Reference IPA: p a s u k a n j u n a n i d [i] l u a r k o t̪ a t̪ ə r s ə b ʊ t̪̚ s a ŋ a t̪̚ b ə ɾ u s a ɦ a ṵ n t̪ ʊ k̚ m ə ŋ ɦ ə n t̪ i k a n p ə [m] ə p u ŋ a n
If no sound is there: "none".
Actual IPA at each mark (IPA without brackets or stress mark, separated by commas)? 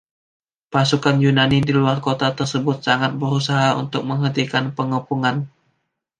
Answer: i, ŋ